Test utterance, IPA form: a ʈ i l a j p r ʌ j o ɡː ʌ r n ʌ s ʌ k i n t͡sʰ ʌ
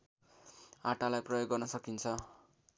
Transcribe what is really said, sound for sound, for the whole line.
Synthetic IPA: a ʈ a l a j p r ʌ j o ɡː ʌ r n ʌ s ʌ k i n t͡sʰ ʌ